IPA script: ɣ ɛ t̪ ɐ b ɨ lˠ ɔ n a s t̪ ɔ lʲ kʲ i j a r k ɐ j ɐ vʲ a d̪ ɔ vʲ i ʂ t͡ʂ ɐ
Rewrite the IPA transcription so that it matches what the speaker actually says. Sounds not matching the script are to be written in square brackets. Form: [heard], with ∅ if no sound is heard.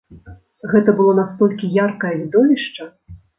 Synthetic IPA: ɣ ɛ t̪ ɐ b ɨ lˠ ɔ n a s t̪ ɔ lʲ kʲ i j a r k ɐ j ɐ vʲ [i] d̪ ɔ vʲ i ʂ t͡ʂ ɐ